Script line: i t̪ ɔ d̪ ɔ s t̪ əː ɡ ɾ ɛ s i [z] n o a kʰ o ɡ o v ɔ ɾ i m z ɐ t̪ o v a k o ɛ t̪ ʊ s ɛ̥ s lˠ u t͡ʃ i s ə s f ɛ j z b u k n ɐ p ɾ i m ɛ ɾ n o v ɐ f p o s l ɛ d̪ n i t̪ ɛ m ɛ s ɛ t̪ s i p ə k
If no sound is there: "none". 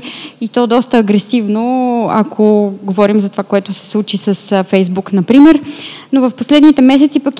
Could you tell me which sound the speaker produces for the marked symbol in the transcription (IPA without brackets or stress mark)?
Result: v